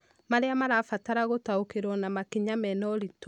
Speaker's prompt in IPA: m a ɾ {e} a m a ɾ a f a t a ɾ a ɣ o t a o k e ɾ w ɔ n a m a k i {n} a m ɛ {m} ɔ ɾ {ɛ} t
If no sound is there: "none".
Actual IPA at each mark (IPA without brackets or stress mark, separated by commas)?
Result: e, ɲ, n, i